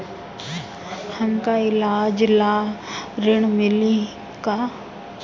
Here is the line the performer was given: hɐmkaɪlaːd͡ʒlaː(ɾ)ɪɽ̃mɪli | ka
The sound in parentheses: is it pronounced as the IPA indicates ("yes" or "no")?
yes